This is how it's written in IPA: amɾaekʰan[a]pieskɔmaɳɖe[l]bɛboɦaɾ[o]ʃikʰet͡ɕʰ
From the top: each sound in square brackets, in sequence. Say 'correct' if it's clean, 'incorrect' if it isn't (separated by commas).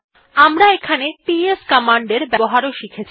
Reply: incorrect, incorrect, correct